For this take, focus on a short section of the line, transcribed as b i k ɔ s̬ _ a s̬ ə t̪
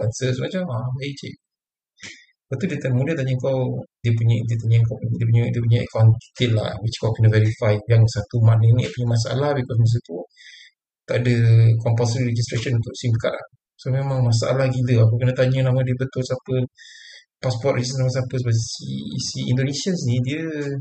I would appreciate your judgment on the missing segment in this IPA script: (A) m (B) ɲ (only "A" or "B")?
A